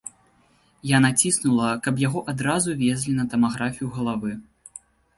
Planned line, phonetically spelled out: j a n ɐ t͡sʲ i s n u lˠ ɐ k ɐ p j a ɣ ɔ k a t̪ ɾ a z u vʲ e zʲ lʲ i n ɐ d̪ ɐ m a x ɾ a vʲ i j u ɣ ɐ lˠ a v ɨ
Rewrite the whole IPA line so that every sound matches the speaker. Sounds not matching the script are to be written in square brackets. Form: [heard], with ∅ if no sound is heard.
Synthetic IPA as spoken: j a n [a] t͡sʲ i s n u lˠ ɐ k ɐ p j a ɣ ɔ [ʔ] a [d̪] ɾ a z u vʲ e zʲ lʲ i n ɐ [t̪] ɐ m a [ɣ] ɾ a [fʲ] i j u ɣ ɐ lˠ a v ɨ